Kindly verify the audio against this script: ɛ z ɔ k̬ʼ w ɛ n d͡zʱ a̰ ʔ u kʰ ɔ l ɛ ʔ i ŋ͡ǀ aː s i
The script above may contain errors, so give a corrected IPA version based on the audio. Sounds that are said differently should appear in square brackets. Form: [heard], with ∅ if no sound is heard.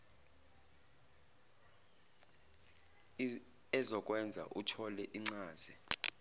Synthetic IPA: ɛ z ɔ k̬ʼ w ɛ n d͡zʱ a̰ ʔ u [tʰ] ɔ l ɛ ʔ i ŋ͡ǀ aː [z] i